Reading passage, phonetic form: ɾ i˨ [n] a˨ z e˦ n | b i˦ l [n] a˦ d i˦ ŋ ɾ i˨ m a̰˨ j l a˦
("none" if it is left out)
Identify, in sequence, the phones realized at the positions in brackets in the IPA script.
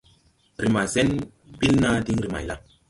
m, n

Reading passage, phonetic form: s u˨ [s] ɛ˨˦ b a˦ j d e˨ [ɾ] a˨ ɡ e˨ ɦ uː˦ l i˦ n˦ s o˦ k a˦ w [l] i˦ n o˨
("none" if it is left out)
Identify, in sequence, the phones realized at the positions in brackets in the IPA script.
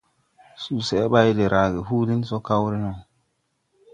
s, ɾ, ɾ

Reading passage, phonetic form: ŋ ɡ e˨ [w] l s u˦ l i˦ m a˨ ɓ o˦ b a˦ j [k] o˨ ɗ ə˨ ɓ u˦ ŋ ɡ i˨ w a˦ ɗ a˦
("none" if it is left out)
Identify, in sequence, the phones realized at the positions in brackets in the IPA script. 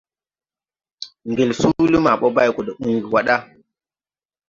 none, k

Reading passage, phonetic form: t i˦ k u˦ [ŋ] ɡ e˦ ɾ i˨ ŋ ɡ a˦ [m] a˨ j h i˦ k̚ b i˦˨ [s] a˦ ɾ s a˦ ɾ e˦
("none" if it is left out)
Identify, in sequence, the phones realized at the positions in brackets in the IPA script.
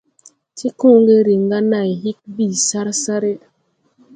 ŋ, n, s

